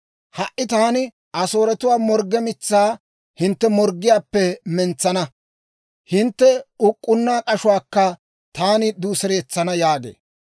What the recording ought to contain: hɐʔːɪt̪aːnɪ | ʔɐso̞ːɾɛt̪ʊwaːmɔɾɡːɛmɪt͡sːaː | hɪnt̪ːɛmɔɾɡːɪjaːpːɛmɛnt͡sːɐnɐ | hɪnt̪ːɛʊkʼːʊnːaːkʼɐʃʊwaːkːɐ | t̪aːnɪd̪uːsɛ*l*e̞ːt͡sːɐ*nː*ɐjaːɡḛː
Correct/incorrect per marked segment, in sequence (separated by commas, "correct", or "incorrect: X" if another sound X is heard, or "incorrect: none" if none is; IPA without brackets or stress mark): incorrect: ɾ, incorrect: n